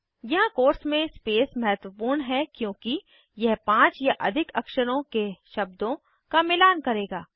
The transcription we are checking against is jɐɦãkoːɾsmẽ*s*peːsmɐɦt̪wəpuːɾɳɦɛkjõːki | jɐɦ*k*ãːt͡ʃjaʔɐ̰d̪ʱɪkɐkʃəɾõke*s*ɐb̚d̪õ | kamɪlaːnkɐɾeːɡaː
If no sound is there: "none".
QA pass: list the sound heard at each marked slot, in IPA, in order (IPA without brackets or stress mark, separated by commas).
s, p, ʃ